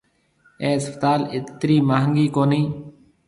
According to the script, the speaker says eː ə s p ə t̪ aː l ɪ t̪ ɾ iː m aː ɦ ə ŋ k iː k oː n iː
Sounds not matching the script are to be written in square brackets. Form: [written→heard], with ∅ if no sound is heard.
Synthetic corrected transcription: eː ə s p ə t̪ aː l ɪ t̪ ɾ iː m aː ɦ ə ŋ [k→ɡ] iː k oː n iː